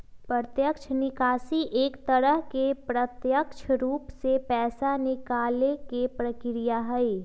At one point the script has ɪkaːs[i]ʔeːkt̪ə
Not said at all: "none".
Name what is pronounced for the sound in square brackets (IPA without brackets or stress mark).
i